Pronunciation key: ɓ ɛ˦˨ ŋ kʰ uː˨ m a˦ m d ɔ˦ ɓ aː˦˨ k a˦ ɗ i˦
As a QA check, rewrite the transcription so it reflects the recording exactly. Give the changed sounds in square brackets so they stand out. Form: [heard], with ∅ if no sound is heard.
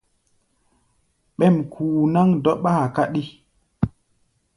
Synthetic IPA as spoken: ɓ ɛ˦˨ [m] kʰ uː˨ [n] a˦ [ŋ] d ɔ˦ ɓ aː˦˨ k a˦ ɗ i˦